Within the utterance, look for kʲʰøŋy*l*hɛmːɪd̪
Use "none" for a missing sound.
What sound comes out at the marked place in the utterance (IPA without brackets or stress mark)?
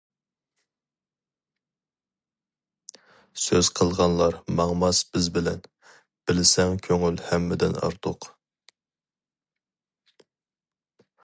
l